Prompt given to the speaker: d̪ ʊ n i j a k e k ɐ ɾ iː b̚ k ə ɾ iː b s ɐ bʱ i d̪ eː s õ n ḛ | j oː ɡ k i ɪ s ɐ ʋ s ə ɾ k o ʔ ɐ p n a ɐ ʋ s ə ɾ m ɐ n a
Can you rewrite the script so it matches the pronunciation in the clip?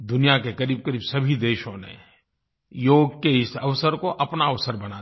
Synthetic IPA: d̪ ʊ n i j a k e k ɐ ɾ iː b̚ k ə ɾ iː b s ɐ bʱ i d̪ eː ʃ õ n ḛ | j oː ɡ k e ɪ s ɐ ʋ s ə ɾ k o ʔ ɐ p n a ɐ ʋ s ə ɾ b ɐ n a